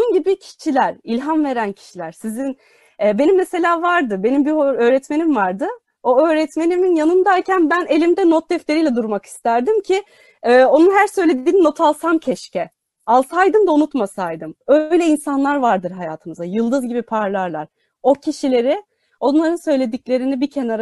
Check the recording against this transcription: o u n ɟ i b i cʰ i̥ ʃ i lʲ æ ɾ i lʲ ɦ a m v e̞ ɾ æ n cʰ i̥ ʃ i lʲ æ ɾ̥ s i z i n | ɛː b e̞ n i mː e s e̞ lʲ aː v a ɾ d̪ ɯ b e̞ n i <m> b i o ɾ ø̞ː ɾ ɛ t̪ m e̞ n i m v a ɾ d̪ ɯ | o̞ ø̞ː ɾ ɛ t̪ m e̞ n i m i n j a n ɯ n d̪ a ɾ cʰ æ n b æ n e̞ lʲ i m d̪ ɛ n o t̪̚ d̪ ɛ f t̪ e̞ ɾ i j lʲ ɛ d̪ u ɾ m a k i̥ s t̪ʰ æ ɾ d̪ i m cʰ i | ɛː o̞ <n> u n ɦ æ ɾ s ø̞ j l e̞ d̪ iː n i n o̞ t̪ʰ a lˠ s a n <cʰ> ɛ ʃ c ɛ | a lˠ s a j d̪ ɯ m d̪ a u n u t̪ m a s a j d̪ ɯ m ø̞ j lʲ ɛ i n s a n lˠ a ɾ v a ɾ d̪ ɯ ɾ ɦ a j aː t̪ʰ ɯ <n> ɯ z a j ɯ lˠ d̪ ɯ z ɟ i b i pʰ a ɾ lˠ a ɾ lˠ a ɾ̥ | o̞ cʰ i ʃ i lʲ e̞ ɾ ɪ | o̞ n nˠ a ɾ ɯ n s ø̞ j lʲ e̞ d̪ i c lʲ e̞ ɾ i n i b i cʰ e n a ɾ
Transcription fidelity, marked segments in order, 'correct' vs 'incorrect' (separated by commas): correct, correct, correct, incorrect